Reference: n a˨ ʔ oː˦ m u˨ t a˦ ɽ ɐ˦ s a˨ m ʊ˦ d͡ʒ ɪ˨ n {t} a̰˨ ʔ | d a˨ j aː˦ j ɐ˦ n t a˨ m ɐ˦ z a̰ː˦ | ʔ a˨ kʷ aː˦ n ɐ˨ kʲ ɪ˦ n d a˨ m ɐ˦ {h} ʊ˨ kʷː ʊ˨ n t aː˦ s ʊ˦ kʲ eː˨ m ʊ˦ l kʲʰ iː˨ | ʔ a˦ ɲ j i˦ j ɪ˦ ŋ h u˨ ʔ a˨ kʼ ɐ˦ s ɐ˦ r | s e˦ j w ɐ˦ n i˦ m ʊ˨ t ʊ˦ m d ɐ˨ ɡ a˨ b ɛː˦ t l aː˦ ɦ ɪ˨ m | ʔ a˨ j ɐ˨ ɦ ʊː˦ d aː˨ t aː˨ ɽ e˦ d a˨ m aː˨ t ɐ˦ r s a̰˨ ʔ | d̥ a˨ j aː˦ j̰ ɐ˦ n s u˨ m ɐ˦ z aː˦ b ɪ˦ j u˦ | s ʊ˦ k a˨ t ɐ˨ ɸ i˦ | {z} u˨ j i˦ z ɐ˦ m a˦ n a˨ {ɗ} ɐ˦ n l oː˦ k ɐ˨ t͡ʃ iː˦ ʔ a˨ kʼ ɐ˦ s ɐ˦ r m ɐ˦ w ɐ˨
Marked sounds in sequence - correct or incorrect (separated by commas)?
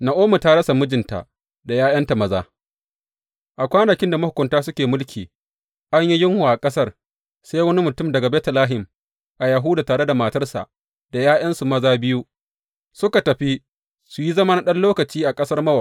correct, correct, incorrect, correct